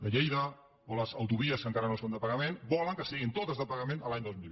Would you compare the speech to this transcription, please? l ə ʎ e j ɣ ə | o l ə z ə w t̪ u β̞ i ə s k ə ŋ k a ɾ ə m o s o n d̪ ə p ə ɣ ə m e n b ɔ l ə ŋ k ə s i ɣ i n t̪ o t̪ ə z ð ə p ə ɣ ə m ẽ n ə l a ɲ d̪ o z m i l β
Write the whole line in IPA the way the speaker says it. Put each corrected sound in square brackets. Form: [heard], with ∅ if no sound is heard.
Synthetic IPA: l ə ʎ e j [ð] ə | o l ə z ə w t̪ u β̞ i ə s k ə ŋ k a ɾ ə [n] o s o n d̪ ə p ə ɣ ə m e n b ɔ l ə ŋ k ə s i ɣ i n t̪ o t̪ ə z ð ə p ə ɣ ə m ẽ n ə l a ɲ d̪ o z m i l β